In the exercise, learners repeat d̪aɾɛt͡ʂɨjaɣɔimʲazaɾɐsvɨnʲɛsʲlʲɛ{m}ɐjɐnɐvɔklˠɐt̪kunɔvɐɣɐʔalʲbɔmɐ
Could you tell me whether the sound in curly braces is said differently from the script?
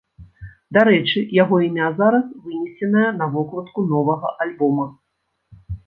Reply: yes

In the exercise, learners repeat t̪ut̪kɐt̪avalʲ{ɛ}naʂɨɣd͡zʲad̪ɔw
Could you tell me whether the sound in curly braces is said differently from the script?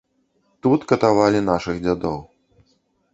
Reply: yes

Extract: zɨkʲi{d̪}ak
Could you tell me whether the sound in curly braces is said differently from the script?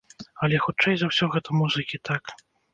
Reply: yes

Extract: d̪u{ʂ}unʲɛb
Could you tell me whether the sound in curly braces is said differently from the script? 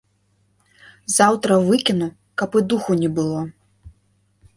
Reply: yes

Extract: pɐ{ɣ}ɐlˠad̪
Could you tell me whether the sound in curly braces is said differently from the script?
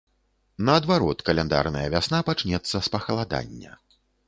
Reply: yes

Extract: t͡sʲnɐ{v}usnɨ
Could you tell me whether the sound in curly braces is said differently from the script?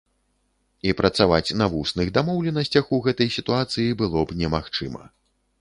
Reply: no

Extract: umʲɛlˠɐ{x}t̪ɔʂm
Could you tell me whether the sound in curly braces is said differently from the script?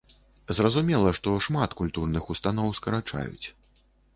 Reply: yes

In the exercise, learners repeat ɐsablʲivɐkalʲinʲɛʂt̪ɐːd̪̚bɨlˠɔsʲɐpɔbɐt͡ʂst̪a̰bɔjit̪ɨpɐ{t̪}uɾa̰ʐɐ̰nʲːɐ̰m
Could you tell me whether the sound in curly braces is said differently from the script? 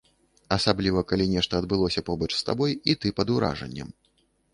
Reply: yes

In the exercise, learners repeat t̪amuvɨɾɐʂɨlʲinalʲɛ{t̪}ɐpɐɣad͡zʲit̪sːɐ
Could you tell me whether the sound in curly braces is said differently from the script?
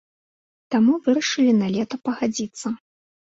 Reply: no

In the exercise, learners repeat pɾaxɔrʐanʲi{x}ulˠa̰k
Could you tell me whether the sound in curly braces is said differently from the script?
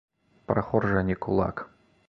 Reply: yes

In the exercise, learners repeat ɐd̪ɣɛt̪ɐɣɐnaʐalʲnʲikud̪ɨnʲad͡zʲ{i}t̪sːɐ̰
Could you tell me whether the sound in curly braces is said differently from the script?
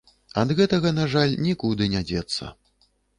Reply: yes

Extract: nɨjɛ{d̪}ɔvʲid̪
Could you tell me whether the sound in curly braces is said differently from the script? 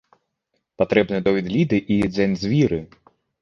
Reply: no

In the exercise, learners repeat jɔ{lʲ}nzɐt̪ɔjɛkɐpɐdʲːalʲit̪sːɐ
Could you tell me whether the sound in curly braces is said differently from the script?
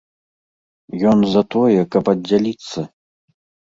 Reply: yes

